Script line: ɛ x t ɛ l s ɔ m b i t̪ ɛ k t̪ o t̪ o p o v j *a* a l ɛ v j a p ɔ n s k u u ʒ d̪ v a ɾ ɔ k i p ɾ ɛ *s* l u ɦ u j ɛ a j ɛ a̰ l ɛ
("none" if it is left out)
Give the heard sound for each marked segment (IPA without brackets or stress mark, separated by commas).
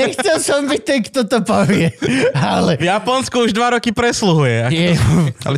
ɛ, s